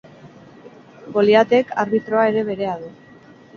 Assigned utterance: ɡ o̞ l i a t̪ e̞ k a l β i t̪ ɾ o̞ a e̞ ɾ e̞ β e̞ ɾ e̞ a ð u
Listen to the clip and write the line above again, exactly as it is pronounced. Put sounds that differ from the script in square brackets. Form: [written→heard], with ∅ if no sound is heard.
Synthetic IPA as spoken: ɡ o̞ l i a t̪ e̞ k a [l→ɾ] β i t̪ ɾ o̞ a e̞ ɾ e̞ β e̞ ɾ e̞ a ð u